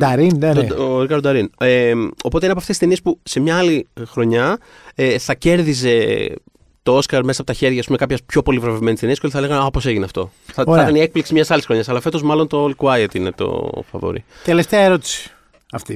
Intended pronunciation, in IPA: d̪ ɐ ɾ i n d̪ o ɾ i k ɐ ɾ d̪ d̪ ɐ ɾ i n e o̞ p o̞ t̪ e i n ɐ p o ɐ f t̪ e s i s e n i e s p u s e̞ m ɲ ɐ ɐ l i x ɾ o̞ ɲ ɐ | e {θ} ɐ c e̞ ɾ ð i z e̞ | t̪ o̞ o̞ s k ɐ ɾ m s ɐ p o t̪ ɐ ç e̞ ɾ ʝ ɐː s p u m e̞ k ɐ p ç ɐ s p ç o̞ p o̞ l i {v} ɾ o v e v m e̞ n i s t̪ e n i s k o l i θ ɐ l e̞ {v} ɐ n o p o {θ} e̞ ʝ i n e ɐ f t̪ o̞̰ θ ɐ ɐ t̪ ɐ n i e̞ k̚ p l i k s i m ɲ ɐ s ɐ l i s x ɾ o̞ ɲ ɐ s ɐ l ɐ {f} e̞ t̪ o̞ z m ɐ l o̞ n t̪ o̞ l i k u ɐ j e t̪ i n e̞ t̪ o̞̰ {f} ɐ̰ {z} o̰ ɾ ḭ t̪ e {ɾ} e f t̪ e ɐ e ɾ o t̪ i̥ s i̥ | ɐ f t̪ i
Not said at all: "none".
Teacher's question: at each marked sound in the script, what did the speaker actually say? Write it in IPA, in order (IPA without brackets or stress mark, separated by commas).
θ, v, ɣ, s, f, f, v, l